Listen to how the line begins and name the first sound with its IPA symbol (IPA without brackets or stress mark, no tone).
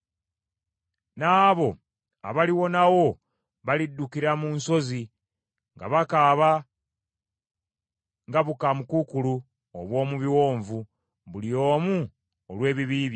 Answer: n